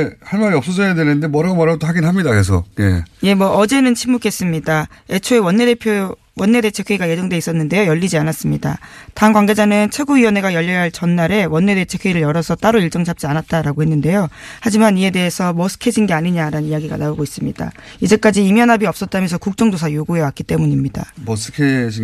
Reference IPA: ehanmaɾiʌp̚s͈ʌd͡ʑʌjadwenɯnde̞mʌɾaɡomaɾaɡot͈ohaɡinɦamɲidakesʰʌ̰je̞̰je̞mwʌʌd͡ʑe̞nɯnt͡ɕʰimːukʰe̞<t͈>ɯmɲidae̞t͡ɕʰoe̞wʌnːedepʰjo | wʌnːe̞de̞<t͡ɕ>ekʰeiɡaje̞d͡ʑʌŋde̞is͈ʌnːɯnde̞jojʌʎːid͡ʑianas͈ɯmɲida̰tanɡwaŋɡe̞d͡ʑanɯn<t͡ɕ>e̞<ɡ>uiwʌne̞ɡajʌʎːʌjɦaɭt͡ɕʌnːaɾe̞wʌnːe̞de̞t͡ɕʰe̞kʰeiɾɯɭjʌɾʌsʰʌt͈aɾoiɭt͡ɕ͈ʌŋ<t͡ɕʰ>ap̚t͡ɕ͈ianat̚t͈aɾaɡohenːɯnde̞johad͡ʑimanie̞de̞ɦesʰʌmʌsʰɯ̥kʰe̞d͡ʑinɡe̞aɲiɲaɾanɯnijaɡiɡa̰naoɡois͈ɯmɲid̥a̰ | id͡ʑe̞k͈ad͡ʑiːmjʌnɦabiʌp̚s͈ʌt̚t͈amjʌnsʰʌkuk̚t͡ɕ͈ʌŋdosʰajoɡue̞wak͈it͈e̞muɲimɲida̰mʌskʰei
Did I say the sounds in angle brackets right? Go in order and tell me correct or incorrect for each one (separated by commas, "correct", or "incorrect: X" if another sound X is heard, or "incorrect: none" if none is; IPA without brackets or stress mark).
incorrect: s͈, incorrect: t͡ɕʰ, incorrect: t͡ɕʰ, correct, correct